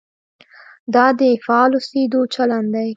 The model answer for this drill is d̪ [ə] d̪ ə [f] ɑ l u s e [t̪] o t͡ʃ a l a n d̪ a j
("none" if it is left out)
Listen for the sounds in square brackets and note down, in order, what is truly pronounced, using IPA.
ɑ, f, d̪

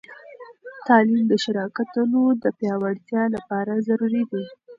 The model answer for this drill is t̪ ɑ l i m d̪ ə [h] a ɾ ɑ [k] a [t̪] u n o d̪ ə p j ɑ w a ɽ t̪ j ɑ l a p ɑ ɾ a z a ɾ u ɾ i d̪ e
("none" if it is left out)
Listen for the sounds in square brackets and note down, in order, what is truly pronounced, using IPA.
ʃ, k, t̪

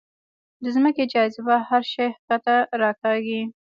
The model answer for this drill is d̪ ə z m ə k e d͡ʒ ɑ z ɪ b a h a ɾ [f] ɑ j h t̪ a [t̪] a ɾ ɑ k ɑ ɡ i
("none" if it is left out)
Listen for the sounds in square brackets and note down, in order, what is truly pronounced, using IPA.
ʃ, t̪

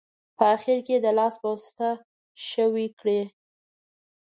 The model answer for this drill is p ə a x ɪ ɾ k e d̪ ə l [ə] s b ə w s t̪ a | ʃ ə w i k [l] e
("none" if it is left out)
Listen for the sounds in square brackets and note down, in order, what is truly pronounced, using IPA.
ɑ, ɽ

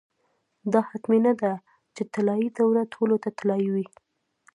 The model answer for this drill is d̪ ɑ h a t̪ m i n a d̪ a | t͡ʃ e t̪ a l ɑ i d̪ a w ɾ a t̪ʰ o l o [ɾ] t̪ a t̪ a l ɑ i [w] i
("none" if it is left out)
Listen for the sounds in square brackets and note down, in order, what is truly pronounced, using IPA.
none, w

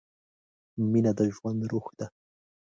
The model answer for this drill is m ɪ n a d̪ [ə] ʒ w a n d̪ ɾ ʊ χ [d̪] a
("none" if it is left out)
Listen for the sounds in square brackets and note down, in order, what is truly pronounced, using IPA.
a, t̪

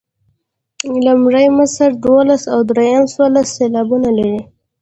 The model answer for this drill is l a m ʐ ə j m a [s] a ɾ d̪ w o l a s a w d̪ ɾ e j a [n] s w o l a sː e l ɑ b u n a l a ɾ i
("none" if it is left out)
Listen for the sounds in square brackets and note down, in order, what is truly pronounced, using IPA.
s, m

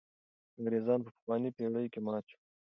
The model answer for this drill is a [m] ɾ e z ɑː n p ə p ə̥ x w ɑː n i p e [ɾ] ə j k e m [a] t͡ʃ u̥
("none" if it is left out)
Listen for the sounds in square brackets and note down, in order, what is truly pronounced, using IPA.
ŋ, ɽ, ɑ

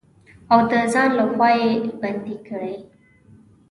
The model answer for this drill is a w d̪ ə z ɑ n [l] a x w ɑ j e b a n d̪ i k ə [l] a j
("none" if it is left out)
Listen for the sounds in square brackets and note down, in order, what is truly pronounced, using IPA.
l, ɽ

